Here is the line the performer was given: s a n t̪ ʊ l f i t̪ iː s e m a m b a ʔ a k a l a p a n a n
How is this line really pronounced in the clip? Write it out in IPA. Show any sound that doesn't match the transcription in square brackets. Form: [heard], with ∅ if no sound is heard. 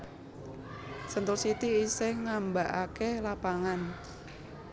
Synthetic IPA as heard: s [ə] n t̪ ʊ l [s] i t̪ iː s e [ŋ] a m b a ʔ a k [e] l a p a [ŋ] a n